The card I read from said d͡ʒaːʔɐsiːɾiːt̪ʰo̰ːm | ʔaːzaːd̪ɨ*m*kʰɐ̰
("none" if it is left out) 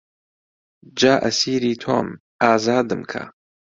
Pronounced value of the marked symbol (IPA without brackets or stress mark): m